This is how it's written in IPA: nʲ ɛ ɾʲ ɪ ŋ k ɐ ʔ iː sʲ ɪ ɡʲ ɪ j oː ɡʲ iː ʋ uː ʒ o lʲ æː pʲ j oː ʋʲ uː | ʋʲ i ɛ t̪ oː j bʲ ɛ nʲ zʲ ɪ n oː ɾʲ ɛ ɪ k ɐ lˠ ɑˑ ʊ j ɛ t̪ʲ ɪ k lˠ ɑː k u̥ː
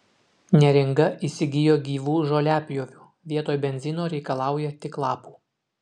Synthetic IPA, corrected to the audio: nʲ ɛ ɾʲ ɪ ŋ ɡ ɐ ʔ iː sʲ ɪ ɡʲ ɪ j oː ɡʲ iː ʋ uː ʒ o lʲ æː pʲ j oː ʋʲ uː | ʋʲ i ɛ t̪ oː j bʲ ɛ nʲ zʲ ɪ n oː ɾʲ ɛ ɪ k ɐ lˠ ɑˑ ʊ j ɛ t̪ʲ ɪ k lˠ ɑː p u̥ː